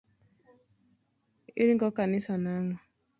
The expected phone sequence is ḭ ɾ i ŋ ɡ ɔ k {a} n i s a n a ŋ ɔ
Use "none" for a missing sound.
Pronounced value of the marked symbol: a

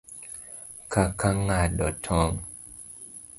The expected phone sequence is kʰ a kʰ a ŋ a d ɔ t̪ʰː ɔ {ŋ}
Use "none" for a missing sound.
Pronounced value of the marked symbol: ŋ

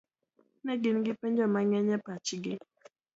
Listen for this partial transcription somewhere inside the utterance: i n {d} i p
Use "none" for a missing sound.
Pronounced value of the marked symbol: ɡ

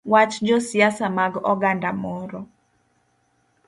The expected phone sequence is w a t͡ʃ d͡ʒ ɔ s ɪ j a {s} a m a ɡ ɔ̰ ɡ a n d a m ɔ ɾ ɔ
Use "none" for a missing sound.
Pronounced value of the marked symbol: s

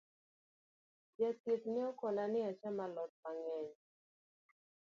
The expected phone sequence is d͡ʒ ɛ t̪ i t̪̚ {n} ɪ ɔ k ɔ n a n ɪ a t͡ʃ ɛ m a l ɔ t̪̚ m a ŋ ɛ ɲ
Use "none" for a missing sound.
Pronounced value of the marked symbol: n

